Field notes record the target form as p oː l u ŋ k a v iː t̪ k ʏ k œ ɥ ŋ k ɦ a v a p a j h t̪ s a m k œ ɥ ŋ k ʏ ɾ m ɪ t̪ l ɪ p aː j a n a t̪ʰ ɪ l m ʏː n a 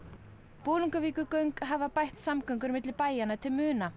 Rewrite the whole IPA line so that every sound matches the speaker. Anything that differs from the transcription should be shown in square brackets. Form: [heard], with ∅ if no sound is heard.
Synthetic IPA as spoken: p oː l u ŋ k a v iː [∅] k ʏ k œ ɥ ŋ k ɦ a v a p a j h t̪ s a m k œ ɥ ŋ k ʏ ɾ m ɪ t̪ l ɪ p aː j a n a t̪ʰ ɪ l m ʏː n a